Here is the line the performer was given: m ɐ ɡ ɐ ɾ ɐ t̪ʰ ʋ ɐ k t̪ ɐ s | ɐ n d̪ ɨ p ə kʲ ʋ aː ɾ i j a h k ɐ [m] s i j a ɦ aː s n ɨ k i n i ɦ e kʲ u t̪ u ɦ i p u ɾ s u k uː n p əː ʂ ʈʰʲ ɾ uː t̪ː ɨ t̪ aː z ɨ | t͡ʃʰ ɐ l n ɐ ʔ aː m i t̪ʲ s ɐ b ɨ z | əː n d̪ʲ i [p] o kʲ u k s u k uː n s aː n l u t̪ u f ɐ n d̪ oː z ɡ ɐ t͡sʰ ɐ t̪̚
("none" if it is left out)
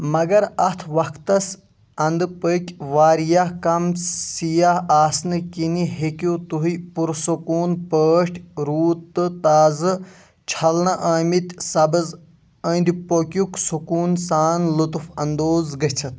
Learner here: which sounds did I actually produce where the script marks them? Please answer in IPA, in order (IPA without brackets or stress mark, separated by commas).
m, p